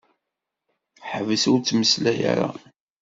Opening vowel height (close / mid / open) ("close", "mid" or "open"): mid